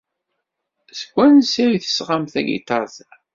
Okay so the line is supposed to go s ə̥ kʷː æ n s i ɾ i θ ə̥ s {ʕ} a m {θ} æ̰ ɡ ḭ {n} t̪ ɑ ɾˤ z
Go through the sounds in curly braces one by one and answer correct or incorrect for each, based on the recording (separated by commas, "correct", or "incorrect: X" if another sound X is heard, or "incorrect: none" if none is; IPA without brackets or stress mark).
incorrect: ʁ, correct, incorrect: none